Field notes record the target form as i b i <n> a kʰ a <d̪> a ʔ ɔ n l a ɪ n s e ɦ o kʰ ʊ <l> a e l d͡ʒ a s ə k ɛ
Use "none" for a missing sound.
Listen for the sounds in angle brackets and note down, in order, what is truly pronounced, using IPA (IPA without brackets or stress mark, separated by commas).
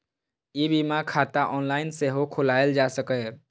m, t̪, l